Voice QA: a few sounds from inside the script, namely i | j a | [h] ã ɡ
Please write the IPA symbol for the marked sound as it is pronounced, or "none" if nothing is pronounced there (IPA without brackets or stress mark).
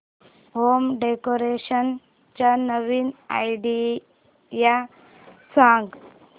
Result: s